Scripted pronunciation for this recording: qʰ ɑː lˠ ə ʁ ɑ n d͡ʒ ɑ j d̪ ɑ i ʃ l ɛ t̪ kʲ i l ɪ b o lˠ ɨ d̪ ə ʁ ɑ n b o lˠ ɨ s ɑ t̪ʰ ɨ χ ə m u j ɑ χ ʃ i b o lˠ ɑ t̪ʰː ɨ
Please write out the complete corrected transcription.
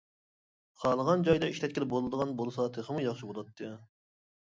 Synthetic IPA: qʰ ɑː lˠ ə ʁ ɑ n d͡ʒ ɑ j d̪ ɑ i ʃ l ɛ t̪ kʲ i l ɪ b o lˠ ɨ d̪ ə ʁ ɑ n b o lˠ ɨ s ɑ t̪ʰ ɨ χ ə m u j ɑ χ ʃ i b o lˠ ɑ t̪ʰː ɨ